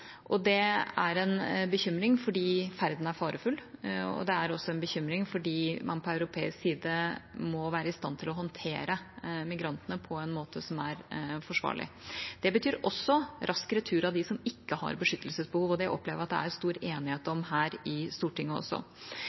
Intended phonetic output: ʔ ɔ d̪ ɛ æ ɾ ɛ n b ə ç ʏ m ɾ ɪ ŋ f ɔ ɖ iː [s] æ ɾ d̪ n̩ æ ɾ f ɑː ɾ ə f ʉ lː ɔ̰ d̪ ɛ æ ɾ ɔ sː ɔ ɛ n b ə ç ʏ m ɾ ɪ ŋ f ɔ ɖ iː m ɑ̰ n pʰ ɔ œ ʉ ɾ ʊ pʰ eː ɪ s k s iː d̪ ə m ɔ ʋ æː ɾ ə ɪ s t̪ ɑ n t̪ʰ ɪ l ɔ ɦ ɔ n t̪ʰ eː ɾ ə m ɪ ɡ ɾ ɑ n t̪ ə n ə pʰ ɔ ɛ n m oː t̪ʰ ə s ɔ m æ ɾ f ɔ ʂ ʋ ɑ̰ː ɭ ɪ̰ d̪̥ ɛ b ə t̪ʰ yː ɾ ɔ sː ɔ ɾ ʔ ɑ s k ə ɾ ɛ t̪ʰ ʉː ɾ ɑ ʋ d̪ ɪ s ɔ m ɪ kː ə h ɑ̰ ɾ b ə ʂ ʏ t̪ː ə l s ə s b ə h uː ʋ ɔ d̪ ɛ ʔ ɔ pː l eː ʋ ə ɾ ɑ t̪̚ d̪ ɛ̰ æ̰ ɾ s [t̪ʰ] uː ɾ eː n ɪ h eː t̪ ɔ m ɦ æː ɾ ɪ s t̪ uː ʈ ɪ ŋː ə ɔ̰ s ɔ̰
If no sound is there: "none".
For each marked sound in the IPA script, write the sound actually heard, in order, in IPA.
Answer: f, t̪

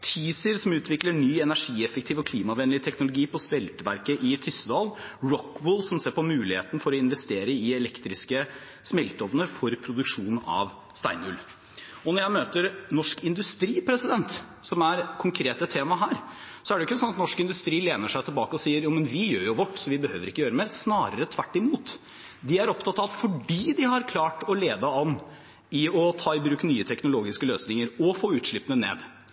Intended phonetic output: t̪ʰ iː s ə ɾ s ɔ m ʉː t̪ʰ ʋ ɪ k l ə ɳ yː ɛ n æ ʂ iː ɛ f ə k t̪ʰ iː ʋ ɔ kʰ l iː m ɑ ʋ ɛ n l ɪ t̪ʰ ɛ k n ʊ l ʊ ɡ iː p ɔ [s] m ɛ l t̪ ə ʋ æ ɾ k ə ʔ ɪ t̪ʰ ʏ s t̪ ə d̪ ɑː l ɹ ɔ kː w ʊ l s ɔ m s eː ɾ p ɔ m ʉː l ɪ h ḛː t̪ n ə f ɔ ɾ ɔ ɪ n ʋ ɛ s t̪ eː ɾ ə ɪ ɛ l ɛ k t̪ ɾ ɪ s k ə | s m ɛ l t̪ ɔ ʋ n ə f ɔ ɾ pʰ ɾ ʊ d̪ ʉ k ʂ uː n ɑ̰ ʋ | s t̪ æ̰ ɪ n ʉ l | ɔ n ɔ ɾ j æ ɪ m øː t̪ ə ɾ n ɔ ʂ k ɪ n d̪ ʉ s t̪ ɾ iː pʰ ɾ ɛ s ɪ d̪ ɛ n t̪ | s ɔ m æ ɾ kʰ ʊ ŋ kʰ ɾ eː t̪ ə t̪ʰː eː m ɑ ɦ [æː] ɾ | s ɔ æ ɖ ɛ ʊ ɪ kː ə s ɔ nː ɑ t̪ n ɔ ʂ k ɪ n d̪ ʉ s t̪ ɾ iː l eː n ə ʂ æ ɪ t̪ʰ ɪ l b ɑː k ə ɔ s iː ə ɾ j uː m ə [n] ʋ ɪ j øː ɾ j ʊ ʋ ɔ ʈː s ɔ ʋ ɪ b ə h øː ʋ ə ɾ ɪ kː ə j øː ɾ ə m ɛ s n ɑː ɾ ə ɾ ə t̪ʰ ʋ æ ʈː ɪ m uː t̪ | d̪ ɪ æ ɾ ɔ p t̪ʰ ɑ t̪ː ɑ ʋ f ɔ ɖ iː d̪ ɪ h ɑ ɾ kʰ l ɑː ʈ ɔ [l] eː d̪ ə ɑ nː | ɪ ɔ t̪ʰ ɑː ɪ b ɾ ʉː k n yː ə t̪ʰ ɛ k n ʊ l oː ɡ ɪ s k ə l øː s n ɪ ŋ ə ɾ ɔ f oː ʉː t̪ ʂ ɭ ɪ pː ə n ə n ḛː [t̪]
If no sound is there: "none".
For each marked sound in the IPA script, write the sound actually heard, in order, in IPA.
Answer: s, æː, n, l, d̪

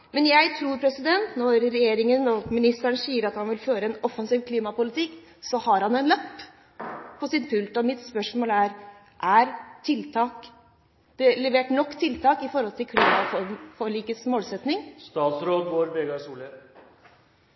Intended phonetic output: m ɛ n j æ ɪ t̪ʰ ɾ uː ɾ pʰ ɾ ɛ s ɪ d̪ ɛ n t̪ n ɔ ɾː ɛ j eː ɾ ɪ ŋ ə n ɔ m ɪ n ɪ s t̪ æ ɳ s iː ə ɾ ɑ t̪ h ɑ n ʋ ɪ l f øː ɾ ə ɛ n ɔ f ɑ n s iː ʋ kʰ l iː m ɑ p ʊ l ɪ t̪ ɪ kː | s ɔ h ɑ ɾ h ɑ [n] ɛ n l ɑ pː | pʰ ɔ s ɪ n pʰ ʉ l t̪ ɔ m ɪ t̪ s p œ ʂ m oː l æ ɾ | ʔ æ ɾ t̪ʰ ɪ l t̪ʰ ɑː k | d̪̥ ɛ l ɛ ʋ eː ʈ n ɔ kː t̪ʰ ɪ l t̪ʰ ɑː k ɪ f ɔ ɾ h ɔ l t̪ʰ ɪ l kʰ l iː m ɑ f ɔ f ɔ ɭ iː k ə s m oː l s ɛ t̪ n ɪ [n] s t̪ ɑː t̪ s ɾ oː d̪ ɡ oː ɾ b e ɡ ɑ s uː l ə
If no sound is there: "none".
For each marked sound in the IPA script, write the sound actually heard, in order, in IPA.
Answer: n, ŋ

